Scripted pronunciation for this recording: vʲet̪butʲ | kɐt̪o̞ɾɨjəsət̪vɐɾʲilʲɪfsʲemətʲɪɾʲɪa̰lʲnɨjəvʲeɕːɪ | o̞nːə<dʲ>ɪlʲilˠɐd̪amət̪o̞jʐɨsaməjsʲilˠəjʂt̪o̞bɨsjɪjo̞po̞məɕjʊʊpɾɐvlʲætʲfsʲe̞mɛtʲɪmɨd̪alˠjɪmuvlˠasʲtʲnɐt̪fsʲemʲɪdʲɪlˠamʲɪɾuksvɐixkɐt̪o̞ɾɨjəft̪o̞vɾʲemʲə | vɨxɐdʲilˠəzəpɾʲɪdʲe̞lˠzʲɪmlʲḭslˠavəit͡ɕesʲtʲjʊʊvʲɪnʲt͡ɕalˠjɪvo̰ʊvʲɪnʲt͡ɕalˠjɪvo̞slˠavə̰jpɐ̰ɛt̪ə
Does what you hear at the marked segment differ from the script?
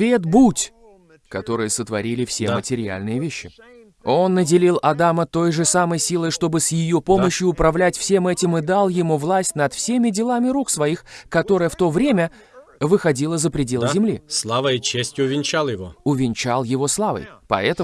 no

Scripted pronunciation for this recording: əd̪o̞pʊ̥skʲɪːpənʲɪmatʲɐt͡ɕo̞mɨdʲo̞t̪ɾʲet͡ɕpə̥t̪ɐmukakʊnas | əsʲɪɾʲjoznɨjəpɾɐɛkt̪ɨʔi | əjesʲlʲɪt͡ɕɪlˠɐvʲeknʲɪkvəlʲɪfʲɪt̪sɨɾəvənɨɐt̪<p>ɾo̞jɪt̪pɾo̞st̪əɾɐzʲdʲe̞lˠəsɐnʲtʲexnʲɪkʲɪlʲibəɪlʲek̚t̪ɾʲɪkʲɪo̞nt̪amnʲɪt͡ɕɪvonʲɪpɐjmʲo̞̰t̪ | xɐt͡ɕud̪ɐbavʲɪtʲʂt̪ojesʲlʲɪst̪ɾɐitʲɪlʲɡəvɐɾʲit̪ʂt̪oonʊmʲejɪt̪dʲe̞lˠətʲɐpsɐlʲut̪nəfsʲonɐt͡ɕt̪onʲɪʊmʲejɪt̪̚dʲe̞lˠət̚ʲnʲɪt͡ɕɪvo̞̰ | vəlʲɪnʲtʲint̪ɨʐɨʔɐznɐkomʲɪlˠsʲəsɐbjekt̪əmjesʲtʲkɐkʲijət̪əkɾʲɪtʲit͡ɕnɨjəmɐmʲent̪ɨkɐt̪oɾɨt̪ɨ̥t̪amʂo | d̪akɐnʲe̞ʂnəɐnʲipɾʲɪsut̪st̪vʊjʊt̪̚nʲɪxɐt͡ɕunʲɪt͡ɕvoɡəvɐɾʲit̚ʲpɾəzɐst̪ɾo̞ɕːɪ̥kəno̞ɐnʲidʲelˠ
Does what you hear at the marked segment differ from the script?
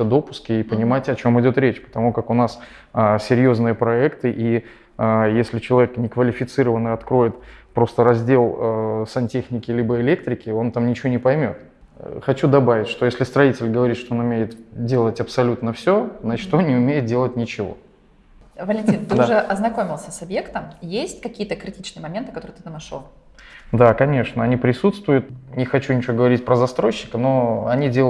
yes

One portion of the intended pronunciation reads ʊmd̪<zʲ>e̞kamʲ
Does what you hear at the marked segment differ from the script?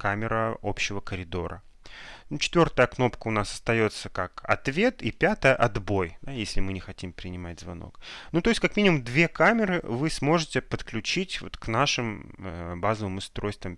yes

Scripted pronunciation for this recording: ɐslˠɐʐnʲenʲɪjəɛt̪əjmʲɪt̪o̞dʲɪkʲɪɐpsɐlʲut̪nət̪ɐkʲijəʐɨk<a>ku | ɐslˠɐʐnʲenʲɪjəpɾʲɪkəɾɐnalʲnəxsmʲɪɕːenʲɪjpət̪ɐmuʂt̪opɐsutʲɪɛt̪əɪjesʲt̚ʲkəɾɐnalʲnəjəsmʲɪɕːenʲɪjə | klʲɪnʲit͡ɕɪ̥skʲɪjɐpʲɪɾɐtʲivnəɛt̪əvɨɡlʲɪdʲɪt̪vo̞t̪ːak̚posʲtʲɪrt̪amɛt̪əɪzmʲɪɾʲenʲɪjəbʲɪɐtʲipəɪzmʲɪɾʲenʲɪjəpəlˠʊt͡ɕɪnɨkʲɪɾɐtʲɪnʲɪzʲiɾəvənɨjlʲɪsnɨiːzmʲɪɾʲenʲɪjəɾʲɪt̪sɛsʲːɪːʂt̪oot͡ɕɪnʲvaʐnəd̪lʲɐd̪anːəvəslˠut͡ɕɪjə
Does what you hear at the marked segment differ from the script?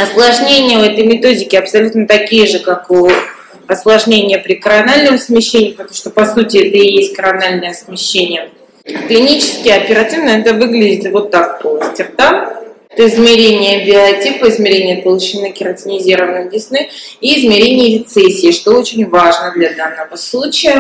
no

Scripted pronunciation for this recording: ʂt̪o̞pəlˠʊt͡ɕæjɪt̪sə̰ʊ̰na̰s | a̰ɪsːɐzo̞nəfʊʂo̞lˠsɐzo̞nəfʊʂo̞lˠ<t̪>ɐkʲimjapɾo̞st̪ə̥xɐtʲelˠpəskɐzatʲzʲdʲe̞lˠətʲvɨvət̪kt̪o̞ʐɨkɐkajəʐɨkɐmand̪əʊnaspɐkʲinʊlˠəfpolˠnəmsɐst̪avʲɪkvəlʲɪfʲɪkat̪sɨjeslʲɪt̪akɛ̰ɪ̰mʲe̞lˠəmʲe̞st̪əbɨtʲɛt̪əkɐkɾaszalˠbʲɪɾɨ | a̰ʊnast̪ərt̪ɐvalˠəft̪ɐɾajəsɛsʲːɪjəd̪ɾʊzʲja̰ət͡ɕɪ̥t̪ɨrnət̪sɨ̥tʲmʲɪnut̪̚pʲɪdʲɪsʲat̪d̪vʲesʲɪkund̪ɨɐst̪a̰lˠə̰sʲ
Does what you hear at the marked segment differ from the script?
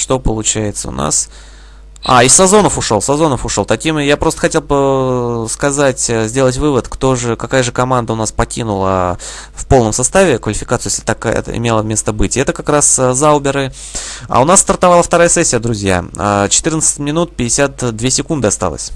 no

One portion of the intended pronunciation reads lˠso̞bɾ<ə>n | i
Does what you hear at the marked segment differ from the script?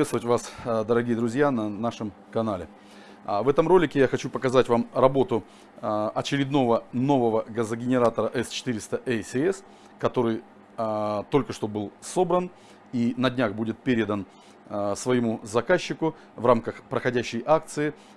no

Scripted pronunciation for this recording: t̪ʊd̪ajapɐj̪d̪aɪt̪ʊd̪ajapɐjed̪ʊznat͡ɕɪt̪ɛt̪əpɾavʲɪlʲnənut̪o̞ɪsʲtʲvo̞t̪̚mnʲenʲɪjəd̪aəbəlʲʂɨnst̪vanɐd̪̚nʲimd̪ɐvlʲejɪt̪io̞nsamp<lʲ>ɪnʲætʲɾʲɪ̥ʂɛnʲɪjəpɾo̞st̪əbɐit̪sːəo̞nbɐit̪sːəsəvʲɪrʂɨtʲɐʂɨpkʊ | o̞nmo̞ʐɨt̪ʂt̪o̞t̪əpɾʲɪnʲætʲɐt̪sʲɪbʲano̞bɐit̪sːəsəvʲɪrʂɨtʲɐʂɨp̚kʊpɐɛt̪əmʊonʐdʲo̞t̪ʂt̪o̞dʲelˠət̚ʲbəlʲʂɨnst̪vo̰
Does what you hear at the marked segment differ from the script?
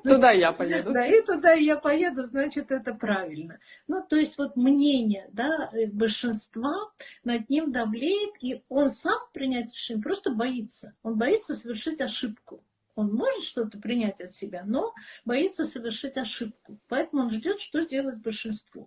yes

